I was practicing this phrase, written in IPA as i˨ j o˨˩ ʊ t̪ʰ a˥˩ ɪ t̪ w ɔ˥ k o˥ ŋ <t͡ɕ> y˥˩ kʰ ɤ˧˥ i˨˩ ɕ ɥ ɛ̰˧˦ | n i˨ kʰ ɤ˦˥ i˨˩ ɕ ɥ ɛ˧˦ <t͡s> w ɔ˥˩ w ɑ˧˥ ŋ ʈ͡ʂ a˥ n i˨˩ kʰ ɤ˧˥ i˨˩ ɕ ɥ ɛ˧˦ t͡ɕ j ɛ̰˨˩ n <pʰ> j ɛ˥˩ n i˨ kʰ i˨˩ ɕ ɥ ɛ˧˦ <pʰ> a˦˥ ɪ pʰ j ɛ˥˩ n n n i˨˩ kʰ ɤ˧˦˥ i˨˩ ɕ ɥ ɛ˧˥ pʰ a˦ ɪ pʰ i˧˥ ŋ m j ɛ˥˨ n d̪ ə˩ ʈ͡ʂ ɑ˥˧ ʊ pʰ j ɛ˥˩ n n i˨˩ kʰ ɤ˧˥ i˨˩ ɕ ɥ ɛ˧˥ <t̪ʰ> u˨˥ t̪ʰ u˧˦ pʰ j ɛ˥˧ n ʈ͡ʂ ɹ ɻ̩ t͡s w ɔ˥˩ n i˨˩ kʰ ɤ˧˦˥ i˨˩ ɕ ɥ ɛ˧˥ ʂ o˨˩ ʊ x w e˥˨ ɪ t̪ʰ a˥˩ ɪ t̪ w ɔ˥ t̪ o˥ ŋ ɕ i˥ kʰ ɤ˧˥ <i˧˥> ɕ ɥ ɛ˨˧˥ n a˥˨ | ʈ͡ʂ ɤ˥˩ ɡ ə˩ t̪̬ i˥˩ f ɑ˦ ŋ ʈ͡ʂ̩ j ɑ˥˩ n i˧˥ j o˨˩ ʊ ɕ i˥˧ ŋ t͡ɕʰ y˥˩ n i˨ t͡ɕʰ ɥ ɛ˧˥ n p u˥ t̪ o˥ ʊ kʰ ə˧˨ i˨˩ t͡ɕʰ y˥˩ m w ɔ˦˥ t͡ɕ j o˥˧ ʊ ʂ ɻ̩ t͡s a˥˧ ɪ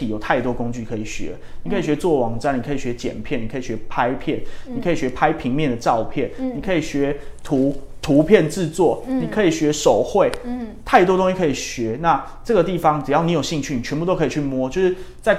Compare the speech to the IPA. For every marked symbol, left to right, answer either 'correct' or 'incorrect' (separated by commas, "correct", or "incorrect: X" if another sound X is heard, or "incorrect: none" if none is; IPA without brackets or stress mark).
correct, correct, correct, correct, correct, incorrect: i˨˩